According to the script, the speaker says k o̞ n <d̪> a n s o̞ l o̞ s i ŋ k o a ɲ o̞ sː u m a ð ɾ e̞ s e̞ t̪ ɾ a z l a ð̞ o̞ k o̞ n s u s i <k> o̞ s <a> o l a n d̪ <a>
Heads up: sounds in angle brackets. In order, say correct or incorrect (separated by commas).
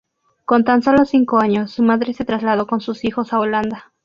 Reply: incorrect, incorrect, correct, correct